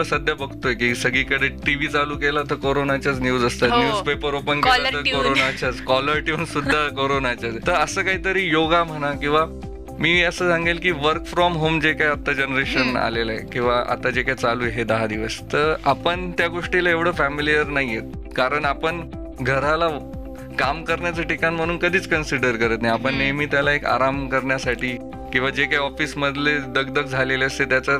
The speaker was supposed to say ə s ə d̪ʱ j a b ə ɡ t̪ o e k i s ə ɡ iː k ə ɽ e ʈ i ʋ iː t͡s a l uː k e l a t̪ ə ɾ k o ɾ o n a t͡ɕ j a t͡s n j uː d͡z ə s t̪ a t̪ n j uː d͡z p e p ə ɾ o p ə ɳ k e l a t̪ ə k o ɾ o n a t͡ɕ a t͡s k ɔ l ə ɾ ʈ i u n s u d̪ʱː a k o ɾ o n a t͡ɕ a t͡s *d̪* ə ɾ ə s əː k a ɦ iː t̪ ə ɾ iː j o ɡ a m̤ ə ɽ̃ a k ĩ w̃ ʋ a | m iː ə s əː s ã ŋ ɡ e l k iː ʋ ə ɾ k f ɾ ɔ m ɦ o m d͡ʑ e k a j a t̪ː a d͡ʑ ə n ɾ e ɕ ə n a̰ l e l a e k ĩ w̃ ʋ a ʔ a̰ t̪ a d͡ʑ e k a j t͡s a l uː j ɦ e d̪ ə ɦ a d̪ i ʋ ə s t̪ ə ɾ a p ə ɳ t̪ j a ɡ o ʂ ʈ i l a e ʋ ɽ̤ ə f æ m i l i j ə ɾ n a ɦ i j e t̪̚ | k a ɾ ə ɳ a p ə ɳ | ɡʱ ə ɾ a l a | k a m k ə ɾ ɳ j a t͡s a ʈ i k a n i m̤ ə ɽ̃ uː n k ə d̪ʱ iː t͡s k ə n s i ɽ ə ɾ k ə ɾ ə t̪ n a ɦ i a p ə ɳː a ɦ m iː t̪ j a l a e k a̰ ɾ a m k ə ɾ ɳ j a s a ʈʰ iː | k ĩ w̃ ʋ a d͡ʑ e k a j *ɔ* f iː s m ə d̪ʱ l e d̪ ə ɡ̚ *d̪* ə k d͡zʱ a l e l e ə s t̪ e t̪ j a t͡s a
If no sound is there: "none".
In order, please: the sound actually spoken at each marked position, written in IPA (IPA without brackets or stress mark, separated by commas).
t̪, ɔ, d̪